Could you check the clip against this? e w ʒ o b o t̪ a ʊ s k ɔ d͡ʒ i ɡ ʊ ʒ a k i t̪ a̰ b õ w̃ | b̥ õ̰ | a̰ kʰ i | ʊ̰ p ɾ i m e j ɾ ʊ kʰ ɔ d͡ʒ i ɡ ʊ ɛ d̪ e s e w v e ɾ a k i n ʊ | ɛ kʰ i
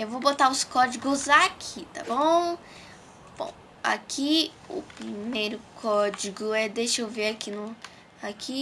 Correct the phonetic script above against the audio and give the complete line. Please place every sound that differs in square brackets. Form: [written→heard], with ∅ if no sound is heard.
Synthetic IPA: e w [ʒ→v] o b o t̪ a ʊ s k ɔ d͡ʒ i ɡ ʊ [ʒ→z] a [k→kʰ] i t̪ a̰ b õ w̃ | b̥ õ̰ | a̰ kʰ i | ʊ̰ p ɾ i m e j ɾ ʊ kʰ ɔ d͡ʒ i ɡ ʊ ɛ d̪ e [s→ʃ] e w v e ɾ a k i n ʊ | [ɛ→a] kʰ i